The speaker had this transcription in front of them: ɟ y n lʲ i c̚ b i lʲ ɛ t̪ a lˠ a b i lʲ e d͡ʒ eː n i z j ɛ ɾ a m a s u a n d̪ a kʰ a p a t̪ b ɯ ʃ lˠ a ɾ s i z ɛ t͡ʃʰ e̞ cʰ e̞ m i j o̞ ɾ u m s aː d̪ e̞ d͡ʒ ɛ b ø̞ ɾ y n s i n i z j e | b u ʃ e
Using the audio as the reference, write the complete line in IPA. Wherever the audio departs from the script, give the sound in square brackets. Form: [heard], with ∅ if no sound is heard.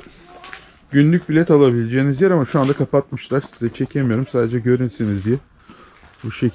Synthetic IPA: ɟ y n lʲ [y] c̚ b i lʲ ɛ t̪ a lˠ a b i lʲ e d͡ʒ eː n i z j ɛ ɾ a m a [ʃ] u a n d̪ a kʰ a p a t̪ [m] ɯ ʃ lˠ a ɾ s i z ɛ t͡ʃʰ e̞ cʰ e̞ m i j o̞ ɾ u m s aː d̪ e̞ d͡ʒ ɛ [ɟ] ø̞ ɾ y n s i n i z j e | b u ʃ e

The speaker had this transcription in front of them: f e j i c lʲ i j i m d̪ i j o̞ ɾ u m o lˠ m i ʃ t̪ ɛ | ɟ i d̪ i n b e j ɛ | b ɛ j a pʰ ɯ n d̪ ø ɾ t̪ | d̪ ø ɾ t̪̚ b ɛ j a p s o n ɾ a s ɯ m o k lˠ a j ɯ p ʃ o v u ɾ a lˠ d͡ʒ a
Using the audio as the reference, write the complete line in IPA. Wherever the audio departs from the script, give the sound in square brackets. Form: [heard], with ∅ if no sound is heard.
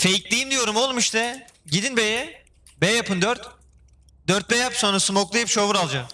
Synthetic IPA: f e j i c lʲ i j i m d̪ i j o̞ ɾ u m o lˠ m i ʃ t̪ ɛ | ɟ i d̪ i n b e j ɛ | b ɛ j a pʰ ɯ n d̪ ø ɾ t̪ | d̪ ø ɾ t̪̚ b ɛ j a p s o n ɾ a s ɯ m o k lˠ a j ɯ p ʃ o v u ɾ a lˠ d͡ʒ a

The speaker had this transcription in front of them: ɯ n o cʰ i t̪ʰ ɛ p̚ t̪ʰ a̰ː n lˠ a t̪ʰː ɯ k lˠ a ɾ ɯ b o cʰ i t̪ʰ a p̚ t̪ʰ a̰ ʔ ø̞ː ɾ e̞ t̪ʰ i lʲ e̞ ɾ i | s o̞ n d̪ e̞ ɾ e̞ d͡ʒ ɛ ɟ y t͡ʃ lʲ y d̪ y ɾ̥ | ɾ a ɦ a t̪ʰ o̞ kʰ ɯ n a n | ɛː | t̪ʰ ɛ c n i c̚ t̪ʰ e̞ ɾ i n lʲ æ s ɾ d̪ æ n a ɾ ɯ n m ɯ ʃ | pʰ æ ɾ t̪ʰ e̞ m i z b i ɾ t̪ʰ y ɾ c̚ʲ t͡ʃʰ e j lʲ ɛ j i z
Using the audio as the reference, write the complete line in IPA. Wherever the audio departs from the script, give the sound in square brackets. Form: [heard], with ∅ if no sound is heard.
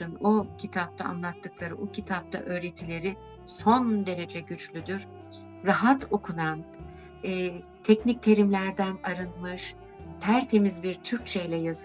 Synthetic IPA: ɯ n o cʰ i t̪ʰ [a] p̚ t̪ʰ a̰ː n lˠ a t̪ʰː ɯ k lˠ a ɾ ɯ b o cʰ i t̪ʰ a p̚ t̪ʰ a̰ ʔ ø̞ː ɾ e̞ t̪ʰ i lʲ e̞ ɾ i | s o̞ n d̪ e̞ ɾ e̞ d͡ʒ ɛ ɟ y t͡ʃ lʲ y d̪ y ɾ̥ | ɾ a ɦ a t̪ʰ o̞ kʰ [u] n a n | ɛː | t̪ʰ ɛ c n i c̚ t̪ʰ e̞ ɾ i [m] lʲ æ [∅] ɾ d̪ æ n a ɾ ɯ n m ɯ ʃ | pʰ æ ɾ t̪ʰ e̞ m i z b i ɾ t̪ʰ y ɾ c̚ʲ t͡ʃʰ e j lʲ ɛ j [a] z

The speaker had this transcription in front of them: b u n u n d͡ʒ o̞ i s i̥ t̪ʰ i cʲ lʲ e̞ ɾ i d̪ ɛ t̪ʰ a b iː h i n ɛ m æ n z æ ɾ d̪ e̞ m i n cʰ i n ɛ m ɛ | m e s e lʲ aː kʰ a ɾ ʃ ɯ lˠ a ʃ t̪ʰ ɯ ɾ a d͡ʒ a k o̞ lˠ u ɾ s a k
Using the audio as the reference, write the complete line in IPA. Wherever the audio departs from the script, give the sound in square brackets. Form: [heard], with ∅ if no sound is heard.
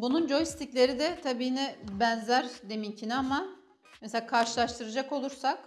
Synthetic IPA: b u n u n d͡ʒ o̞ [j] s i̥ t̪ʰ i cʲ lʲ e̞ ɾ i d̪ ɛ t̪ʰ a b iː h i n ɛ [b] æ n z æ ɾ d̪ e̞ m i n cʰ i n [a] m [a] | m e s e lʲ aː kʰ a ɾ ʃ ɯ lˠ a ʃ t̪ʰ ɯ ɾ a d͡ʒ a k o̞ lˠ u ɾ s a k

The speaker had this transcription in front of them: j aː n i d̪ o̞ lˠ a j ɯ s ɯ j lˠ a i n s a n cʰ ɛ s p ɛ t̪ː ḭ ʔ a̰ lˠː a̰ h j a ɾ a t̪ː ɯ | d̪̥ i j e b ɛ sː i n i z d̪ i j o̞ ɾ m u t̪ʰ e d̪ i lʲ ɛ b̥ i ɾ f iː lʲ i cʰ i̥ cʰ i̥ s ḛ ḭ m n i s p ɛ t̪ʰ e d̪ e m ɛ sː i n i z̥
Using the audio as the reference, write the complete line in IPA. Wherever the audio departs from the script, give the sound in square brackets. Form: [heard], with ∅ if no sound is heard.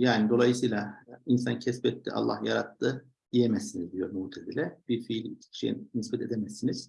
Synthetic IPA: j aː n i d̪ o̞ lˠ a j ɯ s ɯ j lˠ a i n s a n cʰ ɛ s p ɛ t̪ː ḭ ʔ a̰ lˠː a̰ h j a ɾ a t̪ː ɯ | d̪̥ i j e [m] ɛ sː i n i z d̪ i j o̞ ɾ m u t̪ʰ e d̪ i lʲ ɛ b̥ i ɾ f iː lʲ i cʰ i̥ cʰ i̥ [ʃ] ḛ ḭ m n i s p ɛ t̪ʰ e d̪ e m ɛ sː i n i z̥

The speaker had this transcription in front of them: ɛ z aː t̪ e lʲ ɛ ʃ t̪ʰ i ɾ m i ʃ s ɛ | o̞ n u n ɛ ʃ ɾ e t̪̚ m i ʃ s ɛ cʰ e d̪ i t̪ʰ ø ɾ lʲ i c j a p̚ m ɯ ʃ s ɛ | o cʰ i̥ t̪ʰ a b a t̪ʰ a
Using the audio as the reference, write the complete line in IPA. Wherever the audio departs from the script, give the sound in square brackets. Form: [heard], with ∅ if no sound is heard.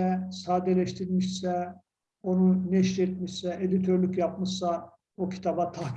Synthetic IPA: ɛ [s] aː [d̪] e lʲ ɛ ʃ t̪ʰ i ɾ m i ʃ s ɛ | o̞ n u n ɛ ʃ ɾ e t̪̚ m i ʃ s ɛ [∅] e d̪ i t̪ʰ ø ɾ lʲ [y] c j a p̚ m ɯ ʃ s [a] | o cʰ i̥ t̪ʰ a b a t̪ʰ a

